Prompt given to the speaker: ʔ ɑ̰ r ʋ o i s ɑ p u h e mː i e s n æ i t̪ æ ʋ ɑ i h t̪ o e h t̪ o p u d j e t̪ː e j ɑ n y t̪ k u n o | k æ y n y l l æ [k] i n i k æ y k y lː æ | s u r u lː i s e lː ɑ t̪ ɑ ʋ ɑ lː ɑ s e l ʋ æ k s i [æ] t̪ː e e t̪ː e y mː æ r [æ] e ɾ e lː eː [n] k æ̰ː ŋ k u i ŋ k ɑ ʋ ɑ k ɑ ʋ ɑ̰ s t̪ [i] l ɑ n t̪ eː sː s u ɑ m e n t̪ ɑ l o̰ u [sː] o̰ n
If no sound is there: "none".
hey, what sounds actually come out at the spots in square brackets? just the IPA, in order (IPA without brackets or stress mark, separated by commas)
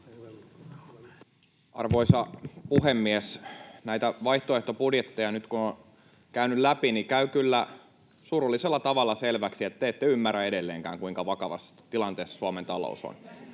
p, e, æ, ŋ, i, s